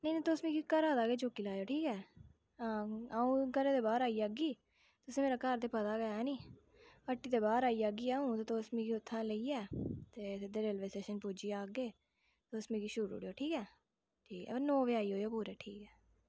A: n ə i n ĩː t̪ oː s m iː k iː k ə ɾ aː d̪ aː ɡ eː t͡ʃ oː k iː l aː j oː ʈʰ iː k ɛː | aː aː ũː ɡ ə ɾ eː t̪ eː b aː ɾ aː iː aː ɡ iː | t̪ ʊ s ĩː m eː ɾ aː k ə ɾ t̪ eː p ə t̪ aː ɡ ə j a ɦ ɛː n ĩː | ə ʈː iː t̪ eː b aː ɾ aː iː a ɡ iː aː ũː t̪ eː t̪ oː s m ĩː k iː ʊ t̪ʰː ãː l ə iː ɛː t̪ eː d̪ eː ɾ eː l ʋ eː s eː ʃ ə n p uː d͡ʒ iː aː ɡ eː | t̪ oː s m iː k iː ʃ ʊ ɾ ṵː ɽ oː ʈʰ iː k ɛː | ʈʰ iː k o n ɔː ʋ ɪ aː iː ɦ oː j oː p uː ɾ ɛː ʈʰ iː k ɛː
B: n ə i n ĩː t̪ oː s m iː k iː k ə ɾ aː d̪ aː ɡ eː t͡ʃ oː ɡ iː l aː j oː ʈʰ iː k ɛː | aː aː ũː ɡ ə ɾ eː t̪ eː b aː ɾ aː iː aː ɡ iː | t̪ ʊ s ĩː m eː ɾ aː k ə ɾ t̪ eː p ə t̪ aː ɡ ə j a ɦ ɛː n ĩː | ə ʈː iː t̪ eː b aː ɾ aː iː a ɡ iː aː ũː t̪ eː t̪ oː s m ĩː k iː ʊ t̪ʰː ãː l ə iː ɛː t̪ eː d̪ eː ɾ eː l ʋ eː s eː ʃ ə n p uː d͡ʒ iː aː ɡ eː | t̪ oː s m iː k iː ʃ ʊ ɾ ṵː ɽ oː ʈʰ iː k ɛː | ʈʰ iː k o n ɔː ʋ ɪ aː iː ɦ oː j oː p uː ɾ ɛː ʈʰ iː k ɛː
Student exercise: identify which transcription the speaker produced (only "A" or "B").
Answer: A